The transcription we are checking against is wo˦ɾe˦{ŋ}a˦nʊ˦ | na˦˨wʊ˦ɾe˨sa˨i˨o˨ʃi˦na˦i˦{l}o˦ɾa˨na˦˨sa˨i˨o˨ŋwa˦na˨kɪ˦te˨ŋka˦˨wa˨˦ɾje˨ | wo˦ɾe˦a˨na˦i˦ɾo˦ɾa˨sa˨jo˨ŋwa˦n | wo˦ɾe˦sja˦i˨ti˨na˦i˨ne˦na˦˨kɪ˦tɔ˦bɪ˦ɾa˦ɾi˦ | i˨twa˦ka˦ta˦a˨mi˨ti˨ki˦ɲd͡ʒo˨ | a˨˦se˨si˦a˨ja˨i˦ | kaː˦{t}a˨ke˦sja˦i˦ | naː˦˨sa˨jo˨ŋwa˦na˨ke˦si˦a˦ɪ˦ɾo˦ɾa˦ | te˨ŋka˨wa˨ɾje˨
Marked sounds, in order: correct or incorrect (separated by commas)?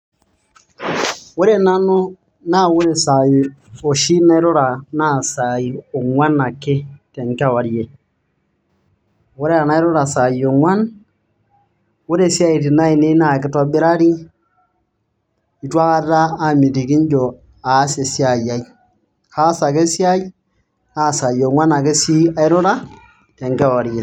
incorrect, incorrect, incorrect